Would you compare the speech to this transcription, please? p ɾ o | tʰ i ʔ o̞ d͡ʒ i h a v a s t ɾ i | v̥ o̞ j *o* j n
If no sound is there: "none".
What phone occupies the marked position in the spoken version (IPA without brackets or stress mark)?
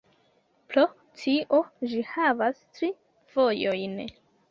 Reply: o